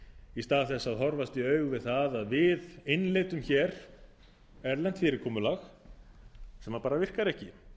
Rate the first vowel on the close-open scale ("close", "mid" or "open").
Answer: close